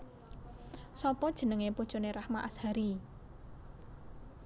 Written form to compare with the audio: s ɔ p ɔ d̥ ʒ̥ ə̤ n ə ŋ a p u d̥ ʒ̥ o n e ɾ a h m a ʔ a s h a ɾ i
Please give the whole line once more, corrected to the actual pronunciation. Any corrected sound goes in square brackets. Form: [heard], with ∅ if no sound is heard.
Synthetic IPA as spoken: s ɔ p ɔ d̥ ʒ̥ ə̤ n ə ŋ [e] p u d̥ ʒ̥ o n e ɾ a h m a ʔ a s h a ɾ i